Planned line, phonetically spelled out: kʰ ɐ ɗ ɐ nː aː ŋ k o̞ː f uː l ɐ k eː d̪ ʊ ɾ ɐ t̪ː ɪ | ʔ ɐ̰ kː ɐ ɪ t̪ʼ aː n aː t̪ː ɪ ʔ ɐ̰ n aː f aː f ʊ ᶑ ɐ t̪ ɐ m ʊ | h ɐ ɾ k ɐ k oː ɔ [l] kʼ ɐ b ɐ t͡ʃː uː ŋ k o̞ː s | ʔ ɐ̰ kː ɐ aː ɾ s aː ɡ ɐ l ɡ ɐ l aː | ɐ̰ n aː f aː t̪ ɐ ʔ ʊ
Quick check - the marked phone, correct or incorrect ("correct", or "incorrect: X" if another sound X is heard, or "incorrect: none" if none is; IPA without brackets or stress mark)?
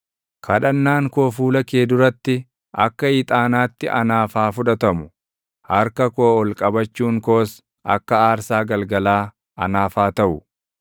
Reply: correct